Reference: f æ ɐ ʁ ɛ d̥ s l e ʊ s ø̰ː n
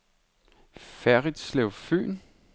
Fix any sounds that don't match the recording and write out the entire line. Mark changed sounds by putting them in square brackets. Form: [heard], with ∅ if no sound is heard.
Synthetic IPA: f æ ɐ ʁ [i] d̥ s l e ʊ [f] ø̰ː n